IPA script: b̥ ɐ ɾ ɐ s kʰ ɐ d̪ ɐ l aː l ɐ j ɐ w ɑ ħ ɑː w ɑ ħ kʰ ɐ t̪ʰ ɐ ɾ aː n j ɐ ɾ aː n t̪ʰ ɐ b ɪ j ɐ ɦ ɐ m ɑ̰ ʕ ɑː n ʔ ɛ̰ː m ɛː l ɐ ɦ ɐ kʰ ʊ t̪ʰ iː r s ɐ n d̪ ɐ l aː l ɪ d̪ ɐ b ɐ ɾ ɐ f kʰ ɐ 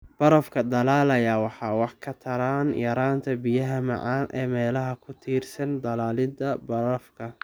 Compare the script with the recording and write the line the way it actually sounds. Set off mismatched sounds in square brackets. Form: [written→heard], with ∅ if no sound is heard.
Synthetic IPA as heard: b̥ ɐ ɾ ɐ [s→f] kʰ ɐ d̪ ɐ l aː l ɐ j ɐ w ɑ ħ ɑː w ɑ ħ kʰ ɐ t̪ʰ ɐ ɾ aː n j ɐ ɾ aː n t̪ʰ ɐ b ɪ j ɐ ɦ ɐ m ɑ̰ ʕ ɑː n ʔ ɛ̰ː m ɛː l ɐ ɦ ɐ kʰ ʊ t̪ʰ iː r s ɐ n d̪ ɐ l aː l ɪ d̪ ɐ b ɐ ɾ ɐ f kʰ ɐ